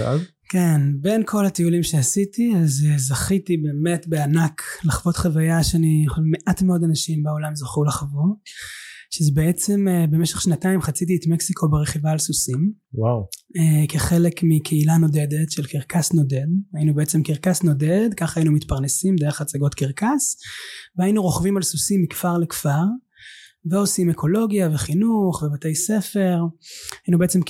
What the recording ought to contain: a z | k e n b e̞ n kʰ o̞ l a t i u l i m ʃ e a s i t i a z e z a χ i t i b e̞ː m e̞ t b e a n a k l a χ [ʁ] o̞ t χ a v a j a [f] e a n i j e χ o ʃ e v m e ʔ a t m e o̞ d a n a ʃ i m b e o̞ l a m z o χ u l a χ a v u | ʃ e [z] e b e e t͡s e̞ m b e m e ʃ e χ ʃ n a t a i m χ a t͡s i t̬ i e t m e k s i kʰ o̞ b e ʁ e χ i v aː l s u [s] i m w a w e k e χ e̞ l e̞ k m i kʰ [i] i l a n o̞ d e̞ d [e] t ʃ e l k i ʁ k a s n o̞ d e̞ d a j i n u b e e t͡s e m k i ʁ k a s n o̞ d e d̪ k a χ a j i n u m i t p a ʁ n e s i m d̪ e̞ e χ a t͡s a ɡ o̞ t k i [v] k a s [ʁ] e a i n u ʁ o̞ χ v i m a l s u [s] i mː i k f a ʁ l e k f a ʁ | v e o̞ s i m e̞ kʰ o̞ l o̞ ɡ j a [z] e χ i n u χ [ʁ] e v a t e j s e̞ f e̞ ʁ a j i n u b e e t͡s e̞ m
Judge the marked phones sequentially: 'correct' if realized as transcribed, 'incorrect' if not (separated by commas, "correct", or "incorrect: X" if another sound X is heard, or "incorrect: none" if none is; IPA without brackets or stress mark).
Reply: incorrect: v, incorrect: ʃ, correct, correct, incorrect: e, correct, incorrect: ʁ, incorrect: v, correct, incorrect: v, incorrect: v